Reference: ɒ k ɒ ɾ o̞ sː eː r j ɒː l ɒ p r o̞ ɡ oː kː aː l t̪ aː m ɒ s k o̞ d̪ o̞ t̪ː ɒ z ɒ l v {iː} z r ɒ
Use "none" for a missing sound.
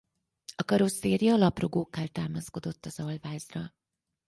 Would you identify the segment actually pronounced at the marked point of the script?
aː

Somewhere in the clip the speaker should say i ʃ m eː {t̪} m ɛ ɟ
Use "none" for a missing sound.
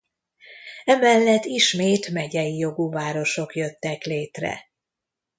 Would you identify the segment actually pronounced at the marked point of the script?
t̪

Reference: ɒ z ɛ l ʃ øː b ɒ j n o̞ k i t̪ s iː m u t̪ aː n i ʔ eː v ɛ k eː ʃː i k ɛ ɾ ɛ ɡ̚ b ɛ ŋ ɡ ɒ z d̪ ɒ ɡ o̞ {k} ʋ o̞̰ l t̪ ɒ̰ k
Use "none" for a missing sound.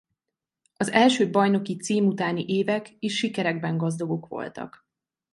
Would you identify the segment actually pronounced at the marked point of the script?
k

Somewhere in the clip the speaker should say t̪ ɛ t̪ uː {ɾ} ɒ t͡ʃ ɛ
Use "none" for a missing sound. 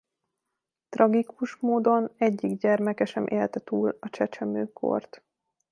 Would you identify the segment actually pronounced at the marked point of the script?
l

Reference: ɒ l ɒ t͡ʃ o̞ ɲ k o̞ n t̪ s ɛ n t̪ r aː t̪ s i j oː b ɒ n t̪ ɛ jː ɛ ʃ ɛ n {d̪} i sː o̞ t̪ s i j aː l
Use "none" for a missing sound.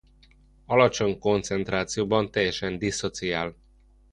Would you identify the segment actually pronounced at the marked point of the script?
d̪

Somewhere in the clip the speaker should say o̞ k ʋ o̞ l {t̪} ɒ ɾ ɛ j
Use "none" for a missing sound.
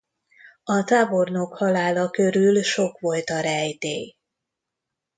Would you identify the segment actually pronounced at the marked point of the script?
t̪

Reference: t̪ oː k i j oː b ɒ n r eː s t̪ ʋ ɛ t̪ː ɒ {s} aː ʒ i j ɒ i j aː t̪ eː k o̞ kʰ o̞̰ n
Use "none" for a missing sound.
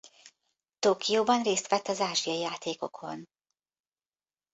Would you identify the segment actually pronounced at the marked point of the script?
z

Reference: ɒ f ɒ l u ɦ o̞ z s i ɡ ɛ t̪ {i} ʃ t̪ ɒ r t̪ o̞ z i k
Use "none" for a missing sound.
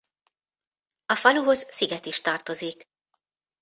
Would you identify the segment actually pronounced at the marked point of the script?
i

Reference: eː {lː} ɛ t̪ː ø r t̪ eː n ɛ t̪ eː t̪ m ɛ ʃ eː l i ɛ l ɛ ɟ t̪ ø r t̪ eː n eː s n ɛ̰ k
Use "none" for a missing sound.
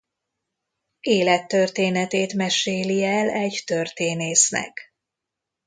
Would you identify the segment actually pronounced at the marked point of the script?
l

